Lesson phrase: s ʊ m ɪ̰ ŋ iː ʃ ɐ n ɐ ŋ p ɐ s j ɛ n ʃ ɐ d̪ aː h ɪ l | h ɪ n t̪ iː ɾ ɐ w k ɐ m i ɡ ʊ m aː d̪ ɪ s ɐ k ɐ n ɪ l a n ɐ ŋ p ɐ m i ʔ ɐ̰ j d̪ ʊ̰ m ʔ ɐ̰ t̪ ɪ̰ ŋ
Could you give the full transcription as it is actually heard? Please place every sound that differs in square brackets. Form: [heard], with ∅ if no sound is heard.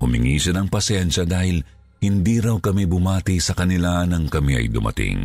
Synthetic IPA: [h] ʊ m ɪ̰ ŋ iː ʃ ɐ n ɐ ŋ p ɐ s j ɛ n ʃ ɐ d̪ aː h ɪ l | h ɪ n [d̪] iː ɾ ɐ w k ɐ m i [b] ʊ m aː [t̪] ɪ s ɐ k ɐ n ɪ l a n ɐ ŋ [k] ɐ m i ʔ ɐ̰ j d̪ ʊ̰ m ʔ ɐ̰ t̪ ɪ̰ ŋ